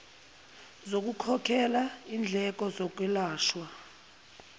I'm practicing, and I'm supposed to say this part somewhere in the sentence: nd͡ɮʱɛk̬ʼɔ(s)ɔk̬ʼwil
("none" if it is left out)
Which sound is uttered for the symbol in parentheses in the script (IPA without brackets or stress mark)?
z